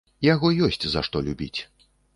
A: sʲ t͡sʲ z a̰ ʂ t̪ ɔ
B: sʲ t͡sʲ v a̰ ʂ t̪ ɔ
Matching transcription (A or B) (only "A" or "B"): A